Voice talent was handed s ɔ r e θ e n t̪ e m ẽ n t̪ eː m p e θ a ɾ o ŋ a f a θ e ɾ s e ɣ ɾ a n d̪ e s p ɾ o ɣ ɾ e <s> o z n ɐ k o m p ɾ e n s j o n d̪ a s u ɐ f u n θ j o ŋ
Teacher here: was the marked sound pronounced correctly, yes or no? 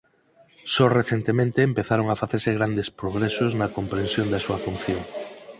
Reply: yes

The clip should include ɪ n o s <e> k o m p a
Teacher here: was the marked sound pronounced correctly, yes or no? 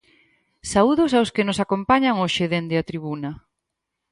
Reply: no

